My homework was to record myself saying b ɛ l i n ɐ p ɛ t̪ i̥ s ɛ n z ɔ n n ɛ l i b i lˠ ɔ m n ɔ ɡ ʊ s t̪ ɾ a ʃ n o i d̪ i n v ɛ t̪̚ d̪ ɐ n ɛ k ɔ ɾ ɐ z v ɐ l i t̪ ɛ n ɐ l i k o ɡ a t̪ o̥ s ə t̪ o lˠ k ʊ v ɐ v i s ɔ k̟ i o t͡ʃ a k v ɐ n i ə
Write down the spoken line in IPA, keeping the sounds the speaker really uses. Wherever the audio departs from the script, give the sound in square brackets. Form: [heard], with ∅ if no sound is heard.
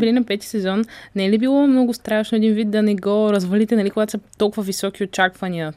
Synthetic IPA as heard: b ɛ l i n ɐ p ɛ t̪ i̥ s ɛ [∅] z ɔ n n ɛ l i b i lˠ ɔ m n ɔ ɡ ʊ s t̪ ɾ a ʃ n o [ɛ] d̪ i n v [i] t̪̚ d̪ ɐ n ɛ [ɡ] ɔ ɾ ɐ z v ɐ l i t̪ ɛ n ɐ l i k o ɡ a t̪ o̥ s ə t̪ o lˠ k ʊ v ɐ v i s ɔ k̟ i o t͡ʃ a k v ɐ n i ə